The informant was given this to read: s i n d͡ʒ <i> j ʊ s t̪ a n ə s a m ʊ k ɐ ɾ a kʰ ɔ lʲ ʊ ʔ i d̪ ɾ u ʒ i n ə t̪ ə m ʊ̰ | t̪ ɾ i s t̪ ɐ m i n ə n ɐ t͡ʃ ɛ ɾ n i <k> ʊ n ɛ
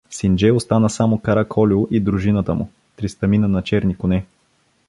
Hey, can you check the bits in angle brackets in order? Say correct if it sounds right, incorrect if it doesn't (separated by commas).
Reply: incorrect, correct